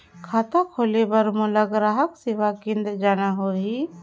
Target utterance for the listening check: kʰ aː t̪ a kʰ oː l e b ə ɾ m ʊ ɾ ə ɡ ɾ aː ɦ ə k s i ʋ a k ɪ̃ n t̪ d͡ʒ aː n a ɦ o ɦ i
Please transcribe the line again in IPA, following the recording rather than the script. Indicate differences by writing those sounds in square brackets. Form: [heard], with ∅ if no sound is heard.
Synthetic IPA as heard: kʰ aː t̪ a kʰ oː l e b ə ɾ m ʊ [l] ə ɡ ɾ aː ɦ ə k s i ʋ a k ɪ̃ n [d̪] d͡ʒ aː n a ɦ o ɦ i